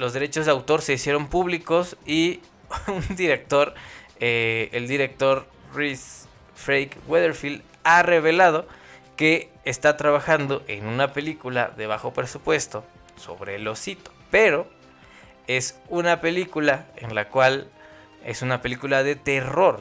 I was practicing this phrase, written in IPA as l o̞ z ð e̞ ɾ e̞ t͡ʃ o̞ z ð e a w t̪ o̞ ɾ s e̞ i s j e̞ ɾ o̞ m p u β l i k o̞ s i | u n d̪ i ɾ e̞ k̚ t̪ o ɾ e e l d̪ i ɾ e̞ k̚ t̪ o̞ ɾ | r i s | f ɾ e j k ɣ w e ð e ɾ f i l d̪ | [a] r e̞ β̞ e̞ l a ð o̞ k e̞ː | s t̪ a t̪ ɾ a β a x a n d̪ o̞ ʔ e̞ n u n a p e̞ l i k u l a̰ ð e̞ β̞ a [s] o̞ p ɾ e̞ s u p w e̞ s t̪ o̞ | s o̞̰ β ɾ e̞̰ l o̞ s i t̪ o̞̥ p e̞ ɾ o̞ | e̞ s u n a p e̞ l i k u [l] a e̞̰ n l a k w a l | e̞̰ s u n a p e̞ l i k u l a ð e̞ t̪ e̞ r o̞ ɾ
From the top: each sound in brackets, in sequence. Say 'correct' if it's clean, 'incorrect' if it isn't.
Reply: correct, incorrect: x, correct

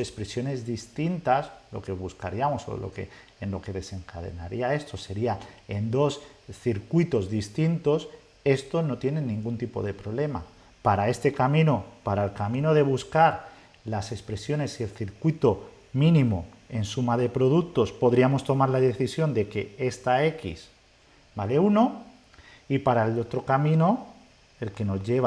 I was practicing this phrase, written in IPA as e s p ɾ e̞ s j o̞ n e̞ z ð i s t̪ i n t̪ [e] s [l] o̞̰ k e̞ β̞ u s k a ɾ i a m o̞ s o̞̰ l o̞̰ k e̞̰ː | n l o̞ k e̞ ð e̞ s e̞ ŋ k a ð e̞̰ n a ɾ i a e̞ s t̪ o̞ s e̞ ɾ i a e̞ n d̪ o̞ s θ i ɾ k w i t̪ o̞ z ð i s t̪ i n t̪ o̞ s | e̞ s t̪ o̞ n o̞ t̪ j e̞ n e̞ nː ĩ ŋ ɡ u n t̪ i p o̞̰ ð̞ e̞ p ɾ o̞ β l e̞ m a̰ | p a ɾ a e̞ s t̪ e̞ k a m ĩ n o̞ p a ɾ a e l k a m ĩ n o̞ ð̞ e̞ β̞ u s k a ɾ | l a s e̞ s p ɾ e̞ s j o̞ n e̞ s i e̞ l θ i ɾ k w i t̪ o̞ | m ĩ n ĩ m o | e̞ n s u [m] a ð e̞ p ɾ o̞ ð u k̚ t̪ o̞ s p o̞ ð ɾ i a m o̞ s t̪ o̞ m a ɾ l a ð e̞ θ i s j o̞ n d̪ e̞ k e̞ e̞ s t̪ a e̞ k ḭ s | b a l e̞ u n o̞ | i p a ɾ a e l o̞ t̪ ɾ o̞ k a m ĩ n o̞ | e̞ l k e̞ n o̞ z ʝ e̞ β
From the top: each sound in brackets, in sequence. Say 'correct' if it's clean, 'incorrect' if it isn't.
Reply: incorrect: a, correct, correct

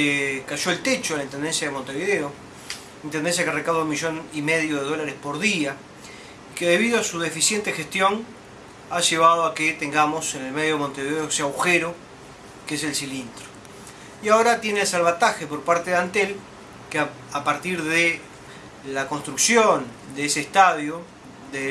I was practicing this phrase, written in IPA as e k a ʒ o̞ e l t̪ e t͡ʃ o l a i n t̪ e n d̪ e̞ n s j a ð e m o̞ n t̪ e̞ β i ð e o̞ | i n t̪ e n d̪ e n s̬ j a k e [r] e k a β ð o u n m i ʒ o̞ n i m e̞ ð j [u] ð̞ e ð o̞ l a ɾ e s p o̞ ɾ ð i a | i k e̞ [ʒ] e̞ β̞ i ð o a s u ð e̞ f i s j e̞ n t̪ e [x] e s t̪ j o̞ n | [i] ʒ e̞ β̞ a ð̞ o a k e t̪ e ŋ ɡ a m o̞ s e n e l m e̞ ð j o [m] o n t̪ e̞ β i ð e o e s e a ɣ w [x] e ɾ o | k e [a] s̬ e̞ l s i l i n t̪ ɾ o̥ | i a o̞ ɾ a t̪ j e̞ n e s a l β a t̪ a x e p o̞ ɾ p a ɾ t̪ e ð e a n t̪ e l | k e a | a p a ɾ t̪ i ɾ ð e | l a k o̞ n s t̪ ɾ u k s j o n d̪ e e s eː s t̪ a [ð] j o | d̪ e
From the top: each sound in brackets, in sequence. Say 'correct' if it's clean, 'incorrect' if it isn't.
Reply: correct, incorrect: o, incorrect: ð, correct, incorrect: a, correct, correct, incorrect: e, correct

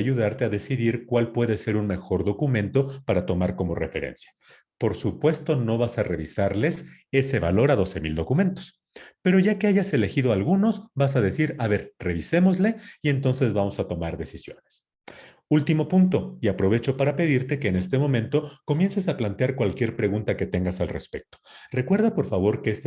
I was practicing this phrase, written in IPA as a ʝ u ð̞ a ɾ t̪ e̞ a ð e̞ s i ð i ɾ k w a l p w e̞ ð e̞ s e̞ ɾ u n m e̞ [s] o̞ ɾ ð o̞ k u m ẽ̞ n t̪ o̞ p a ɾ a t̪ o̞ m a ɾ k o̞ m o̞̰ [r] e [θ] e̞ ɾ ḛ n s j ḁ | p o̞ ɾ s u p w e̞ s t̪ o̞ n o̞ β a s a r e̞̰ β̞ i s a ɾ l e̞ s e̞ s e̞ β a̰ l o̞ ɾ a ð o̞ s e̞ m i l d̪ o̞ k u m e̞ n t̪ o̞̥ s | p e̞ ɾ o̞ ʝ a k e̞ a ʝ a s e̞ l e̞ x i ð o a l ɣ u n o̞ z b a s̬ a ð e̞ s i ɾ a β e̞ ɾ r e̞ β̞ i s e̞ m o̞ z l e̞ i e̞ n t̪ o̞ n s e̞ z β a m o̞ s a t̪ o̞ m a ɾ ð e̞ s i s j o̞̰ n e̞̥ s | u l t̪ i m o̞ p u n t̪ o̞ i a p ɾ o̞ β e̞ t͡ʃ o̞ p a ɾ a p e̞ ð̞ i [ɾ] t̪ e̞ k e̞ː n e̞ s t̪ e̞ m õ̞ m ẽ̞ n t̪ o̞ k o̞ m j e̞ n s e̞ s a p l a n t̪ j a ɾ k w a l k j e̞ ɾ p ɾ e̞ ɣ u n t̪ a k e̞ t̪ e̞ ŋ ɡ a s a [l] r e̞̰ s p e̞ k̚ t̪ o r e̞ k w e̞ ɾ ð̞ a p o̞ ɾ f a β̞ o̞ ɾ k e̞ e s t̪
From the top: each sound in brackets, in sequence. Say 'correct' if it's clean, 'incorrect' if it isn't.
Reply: incorrect: x, correct, incorrect: f, correct, correct

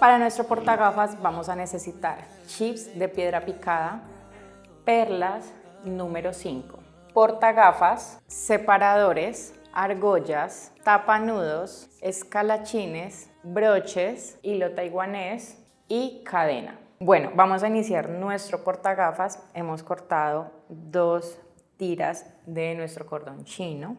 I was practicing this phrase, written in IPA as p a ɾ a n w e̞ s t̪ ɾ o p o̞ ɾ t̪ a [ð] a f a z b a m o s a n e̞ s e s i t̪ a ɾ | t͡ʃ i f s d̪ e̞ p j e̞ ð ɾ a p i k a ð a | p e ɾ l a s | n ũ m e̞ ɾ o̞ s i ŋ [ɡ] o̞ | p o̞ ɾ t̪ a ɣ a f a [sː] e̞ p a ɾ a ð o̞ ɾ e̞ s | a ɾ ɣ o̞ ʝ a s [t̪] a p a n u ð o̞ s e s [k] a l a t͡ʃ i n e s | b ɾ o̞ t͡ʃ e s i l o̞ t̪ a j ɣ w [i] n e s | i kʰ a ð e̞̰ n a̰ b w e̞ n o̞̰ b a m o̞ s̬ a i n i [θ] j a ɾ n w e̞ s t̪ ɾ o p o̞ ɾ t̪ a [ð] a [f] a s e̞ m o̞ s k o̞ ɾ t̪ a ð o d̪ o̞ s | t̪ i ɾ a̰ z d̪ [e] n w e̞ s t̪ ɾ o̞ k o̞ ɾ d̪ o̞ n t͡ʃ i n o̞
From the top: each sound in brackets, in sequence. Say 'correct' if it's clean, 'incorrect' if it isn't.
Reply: incorrect: ɣ, incorrect: k, correct, correct, correct, incorrect: a, incorrect: s, incorrect: ɣ, correct, correct

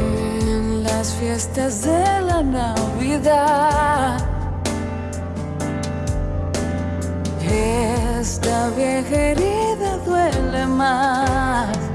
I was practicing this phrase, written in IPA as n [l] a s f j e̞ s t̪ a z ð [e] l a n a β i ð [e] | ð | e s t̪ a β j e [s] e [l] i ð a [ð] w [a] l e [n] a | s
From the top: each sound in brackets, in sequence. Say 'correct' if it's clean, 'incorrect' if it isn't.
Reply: correct, correct, incorrect: a, incorrect: x, incorrect: ɾ, correct, incorrect: e, incorrect: m

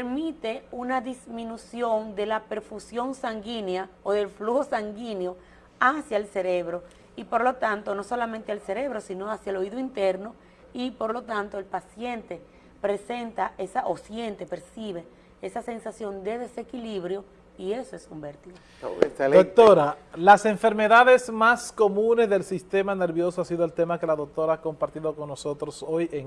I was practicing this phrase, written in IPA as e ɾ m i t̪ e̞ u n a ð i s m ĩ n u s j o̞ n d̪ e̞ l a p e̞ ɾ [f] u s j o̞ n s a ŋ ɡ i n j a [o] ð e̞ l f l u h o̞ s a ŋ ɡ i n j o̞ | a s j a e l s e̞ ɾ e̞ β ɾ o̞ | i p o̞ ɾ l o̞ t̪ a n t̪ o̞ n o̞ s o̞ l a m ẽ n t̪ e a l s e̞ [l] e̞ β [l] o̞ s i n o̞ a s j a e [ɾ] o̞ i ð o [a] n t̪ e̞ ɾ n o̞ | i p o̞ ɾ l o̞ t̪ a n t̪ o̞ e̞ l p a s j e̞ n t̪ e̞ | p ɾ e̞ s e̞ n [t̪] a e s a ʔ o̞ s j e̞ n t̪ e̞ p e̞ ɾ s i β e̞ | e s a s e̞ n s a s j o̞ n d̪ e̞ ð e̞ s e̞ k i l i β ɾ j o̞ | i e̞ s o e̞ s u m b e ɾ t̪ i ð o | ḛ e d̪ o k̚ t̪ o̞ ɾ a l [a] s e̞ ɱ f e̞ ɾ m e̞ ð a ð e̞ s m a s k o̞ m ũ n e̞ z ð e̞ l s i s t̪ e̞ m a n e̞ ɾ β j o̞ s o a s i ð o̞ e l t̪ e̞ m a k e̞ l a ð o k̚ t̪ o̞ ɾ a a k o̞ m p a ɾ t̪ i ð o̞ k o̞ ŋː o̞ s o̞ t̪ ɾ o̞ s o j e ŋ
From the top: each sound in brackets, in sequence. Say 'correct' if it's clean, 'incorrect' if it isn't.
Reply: correct, correct, incorrect: ɾ, incorrect: ɾ, incorrect: l, incorrect: i, correct, correct

